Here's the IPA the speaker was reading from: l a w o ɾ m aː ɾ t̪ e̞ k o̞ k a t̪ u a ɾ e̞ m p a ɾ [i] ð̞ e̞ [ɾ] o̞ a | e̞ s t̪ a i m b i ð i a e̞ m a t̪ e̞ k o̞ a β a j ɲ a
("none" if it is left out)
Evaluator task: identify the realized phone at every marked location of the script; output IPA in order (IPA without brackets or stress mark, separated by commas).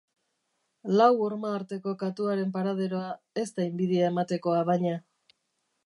a, ɾ